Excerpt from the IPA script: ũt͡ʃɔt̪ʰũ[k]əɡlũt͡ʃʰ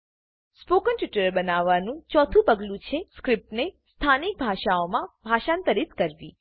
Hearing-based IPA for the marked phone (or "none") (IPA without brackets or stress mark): p